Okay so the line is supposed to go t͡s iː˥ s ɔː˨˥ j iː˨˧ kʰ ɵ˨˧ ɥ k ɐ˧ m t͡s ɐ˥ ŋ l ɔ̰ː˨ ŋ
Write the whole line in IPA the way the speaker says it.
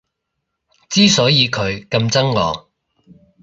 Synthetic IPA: t͡s iː˥ s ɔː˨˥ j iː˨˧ kʰ ɵ˨˧ ɥ k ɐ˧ m t͡s ɐ˥ ŋ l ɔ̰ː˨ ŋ